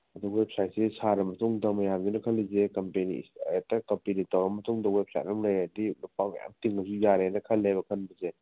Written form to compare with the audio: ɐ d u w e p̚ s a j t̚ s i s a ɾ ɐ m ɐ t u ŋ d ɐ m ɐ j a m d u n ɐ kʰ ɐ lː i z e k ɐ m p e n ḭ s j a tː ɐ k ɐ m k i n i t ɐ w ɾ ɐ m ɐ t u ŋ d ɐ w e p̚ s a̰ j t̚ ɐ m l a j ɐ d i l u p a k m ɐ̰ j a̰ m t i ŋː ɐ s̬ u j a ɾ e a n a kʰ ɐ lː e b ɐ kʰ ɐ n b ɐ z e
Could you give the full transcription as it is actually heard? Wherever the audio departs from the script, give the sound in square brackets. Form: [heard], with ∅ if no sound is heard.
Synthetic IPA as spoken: ɐ d u w e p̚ s a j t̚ s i s a ɾ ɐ m ɐ t u ŋ d ɐ m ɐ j a m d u n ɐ kʰ ɐ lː i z e k ɐ m p e n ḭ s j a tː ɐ k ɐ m [p] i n i t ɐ w ɾ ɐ m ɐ t u ŋ d ɐ w e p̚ s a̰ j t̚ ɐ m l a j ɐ d i l u p a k m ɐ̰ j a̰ m t i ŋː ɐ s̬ u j a ɾ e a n [ɐ] kʰ ɐ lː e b ɐ kʰ ɐ n b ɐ z e